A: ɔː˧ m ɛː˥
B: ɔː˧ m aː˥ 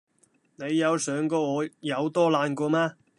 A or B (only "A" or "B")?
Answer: B